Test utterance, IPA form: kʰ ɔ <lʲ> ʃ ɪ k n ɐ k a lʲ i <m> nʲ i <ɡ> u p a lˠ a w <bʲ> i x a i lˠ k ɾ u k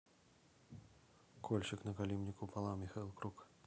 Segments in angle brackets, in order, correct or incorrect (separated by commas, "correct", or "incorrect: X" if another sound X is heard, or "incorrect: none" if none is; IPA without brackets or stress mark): correct, correct, incorrect: k, incorrect: mʲ